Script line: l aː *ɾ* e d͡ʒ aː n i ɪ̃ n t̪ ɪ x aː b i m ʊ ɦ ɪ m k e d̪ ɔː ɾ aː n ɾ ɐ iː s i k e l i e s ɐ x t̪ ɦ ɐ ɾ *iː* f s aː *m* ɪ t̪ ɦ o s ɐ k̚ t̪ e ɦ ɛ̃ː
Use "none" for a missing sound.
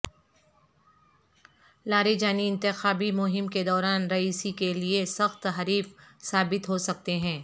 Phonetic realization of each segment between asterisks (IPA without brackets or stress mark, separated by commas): ɾ, iː, b